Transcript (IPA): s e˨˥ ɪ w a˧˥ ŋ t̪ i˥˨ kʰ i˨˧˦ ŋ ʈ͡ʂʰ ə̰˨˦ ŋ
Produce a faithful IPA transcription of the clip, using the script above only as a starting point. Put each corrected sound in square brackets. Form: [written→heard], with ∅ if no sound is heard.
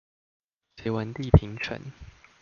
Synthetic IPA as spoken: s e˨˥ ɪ w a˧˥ [ŋ→n] t̪ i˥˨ [kʰ→pʰ] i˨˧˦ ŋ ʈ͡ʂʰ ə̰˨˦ [ŋ→n]